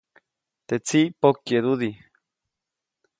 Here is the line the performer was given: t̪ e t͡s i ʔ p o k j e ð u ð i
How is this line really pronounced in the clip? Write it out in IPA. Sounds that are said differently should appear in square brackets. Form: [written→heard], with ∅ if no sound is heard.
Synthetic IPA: t̪ e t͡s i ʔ p o k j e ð u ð i